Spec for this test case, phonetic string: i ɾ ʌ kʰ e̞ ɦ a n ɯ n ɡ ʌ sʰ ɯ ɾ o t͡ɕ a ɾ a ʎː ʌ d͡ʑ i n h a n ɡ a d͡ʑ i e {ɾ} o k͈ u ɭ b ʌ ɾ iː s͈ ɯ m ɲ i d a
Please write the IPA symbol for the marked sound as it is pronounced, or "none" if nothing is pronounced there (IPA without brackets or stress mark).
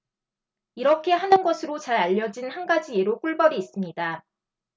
ɾ